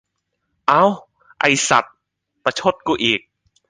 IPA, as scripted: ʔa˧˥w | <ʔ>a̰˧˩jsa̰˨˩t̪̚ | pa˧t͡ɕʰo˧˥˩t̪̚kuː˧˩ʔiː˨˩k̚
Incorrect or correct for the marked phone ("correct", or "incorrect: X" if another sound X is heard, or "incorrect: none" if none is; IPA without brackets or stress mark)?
correct